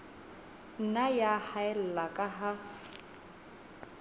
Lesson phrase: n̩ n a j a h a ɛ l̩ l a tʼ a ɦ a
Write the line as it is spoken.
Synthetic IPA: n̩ n a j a h a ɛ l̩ l a kʼ a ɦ a